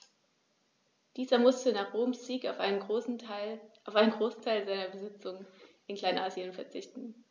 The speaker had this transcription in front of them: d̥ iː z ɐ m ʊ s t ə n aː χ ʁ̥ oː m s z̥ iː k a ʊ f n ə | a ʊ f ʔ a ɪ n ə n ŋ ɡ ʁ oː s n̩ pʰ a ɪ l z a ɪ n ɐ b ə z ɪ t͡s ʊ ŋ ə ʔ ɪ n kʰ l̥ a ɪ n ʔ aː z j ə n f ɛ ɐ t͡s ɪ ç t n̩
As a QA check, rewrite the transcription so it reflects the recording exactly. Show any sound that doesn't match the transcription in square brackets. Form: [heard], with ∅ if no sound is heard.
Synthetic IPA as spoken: d̥ iː z ɐ m ʊ s t ə n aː χ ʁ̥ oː m s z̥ iː k a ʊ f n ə | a ʊ f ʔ a ɪ n ə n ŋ ɡ ʁ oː s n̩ [tʰ] a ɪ l z a ɪ n ɐ b ə z ɪ t͡s ʊ ŋ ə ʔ ɪ n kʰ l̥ a ɪ n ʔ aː z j ə n f ɛ ɐ t͡s ɪ ç t n̩